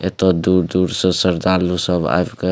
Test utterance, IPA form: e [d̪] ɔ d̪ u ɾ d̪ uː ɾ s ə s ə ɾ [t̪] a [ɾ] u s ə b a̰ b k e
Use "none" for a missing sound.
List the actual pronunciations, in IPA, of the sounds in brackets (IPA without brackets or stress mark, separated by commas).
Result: t̪, d̪, l